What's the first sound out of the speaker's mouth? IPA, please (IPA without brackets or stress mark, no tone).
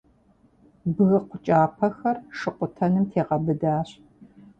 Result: b